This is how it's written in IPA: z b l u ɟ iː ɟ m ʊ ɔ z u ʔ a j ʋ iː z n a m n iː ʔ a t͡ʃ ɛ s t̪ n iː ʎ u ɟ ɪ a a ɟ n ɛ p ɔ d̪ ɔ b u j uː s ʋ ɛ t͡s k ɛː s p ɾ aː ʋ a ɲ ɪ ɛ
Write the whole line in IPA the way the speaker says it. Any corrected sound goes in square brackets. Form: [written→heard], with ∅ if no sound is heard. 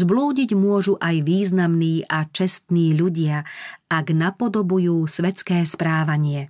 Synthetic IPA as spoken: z b l [u→uː] ɟ [iː→i] ɟ m ʊ ɔ [z→ʒ] u ʔ a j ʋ iː z n a m n iː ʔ a t͡ʃ ɛ s t̪ n iː ʎ u ɟ ɪ a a [ɟ→ɡ] n [ɛ→a] p ɔ d̪ ɔ b u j uː s ʋ ɛ t͡s k ɛː s p ɾ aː ʋ a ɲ ɪ ɛ